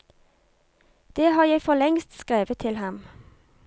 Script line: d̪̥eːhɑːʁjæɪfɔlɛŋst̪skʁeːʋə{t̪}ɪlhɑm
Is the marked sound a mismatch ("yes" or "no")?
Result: yes